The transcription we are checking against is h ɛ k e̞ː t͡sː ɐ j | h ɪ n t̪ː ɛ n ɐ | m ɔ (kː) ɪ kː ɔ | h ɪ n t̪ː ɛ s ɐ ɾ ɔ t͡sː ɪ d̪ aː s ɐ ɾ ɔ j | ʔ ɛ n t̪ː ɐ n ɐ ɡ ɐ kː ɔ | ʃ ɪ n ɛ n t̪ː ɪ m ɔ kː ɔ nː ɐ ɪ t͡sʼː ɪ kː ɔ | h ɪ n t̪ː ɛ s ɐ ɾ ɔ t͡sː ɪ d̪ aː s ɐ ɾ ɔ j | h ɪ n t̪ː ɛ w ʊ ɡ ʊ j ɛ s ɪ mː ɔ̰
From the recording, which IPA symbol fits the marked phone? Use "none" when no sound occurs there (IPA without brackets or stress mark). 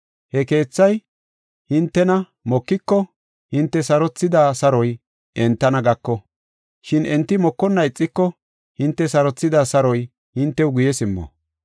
kː